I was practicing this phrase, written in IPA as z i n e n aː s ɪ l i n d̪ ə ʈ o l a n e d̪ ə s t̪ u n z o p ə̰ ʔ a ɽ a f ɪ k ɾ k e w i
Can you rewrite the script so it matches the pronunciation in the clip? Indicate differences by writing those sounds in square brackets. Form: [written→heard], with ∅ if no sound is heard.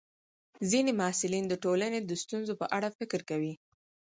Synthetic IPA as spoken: z i n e [n→m] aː s ɪ l i n d̪ ə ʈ o l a n e d̪ ə s t̪ u n z o p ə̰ ʔ a ɽ a f ɪ k ɾ k [e→a] w i